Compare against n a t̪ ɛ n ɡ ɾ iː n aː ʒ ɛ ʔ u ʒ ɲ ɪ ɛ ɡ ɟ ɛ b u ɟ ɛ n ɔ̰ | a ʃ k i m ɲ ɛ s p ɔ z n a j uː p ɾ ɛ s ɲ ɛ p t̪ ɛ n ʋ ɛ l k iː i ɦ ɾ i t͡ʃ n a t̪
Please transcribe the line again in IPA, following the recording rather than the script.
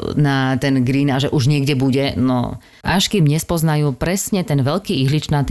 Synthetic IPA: n a t̪ ɛ n ɡ ɾ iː n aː ʒ ɛ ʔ u ʒ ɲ ɪ ɛ ɡ ɟ ɛ b u ɟ ɛ n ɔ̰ | a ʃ k i m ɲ ɛ s p ɔ z n a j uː p ɾ ɛ s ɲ ɛ t̪ ɛ n ʋ ɛ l k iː i ɦ l i t͡ʃ n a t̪